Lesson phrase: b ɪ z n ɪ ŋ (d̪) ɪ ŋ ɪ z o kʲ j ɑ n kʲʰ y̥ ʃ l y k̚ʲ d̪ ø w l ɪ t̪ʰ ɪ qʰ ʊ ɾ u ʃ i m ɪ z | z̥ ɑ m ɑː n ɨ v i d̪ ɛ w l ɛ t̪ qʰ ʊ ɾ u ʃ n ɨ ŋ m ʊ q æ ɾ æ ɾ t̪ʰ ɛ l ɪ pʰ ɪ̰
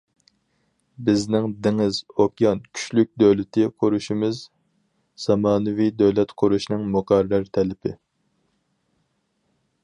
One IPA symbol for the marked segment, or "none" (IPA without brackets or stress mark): d̪